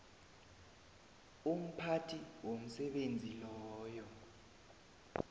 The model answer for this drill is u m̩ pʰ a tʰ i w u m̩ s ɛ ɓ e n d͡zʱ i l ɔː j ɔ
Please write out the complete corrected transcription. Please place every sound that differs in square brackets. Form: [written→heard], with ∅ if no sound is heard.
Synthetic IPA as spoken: u m̩ pʰ a tʰ i w [u→o] m̩ s ɛ ɓ e n d͡zʱ i l ɔː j ɔ